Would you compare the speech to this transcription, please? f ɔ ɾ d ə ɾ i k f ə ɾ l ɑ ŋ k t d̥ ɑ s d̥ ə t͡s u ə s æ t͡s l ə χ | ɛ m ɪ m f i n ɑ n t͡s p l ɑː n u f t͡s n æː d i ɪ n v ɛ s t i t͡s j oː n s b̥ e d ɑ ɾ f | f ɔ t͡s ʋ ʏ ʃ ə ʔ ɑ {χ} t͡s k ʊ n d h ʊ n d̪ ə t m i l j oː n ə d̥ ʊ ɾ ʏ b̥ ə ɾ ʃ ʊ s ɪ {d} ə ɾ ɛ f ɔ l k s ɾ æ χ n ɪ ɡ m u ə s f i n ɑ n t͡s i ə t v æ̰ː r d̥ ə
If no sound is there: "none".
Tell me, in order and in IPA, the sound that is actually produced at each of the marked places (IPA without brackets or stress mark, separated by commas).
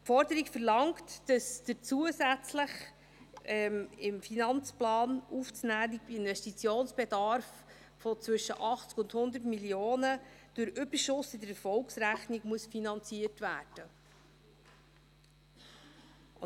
χ, d